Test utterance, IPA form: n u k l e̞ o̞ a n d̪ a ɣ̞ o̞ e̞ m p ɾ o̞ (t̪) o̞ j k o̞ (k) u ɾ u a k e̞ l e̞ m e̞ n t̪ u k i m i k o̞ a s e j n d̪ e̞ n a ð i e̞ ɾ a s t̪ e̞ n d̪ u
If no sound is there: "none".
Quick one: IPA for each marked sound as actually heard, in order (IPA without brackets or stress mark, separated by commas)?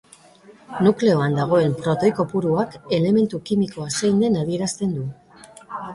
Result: t̪, p